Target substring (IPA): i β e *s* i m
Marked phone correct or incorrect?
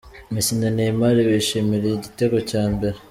incorrect